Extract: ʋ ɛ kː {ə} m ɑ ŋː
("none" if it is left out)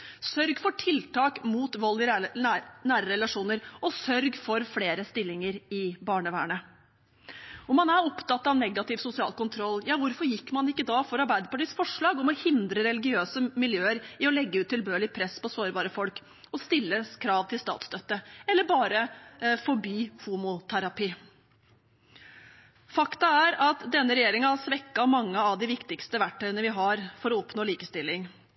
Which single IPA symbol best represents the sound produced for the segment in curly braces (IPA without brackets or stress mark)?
ɑ